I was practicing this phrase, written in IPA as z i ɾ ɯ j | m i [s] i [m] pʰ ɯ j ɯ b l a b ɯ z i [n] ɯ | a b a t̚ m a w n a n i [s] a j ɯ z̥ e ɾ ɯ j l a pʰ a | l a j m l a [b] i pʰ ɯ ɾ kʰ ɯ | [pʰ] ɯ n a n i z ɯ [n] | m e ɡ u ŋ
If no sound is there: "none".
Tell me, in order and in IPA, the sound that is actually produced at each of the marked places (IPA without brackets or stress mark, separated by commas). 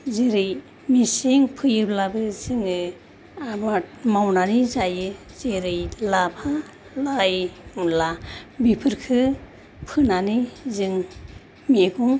s, ŋ, ŋ, z, b, pʰ, ŋ